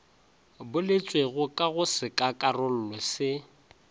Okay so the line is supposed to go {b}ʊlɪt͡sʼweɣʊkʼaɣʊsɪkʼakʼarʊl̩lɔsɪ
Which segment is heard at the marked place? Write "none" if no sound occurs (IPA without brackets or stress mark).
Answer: b